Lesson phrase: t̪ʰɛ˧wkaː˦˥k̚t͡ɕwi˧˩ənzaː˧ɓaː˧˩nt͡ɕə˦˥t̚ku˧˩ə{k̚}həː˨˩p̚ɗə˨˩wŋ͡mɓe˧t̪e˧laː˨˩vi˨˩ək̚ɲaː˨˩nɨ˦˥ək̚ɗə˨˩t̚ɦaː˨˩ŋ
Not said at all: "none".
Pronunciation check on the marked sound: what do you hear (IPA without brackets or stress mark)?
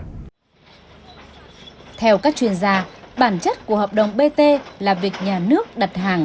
none